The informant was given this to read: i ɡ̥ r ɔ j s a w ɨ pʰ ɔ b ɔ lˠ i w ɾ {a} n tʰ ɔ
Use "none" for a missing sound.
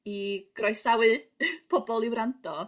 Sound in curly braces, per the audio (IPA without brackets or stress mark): a